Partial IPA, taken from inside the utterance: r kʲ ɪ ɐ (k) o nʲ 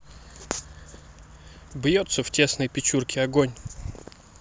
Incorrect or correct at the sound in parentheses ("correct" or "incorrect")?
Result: incorrect